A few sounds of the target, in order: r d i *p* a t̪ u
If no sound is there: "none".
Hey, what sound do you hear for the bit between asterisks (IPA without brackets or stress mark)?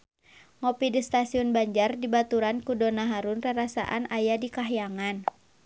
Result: b